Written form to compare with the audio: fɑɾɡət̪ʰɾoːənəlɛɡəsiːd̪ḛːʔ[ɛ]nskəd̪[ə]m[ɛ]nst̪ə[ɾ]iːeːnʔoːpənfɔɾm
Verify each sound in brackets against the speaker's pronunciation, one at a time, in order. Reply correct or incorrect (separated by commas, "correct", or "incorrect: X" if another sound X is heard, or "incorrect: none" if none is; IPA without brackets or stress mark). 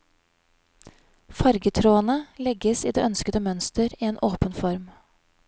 incorrect: œ, correct, incorrect: œ, correct